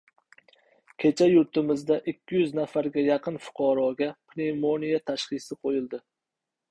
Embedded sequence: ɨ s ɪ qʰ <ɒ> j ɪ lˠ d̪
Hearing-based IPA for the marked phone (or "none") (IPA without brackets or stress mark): o